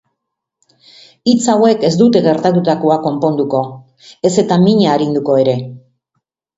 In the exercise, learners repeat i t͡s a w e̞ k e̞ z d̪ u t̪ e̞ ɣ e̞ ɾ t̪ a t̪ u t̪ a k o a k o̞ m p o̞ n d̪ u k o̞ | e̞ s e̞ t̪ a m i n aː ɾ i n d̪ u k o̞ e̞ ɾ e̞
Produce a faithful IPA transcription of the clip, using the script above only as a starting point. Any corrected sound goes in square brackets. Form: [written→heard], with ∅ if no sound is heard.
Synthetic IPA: i t͡s a w e̞ k e̞ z d̪ u t̪ e̞ ɣ e̞ ɾ t̪ a t̪ u t̪ a k o a k o̞ m p o̞ n d̪ u k o̞ | e̞ s e̞ t̪ a m i [n→ɲ] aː ɾ i n d̪ u k o̞ e̞ ɾ e̞